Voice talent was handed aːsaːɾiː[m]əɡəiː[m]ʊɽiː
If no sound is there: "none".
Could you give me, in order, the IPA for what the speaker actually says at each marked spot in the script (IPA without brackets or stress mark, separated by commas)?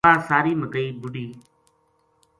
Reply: m, b